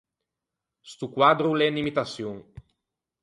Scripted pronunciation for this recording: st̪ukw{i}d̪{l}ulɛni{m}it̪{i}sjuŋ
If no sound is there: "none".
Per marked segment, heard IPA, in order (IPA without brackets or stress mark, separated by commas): a, ɾ, m, a